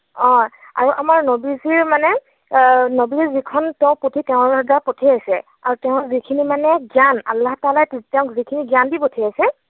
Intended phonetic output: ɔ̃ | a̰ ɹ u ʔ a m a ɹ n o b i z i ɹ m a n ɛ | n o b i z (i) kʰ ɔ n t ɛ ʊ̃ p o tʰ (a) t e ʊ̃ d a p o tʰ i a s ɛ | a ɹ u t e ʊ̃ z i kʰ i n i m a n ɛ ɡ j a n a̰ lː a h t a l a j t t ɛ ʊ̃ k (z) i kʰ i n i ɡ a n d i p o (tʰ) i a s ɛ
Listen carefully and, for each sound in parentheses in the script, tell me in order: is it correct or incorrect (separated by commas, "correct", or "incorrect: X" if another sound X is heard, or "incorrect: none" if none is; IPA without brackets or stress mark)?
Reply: correct, incorrect: i, correct, correct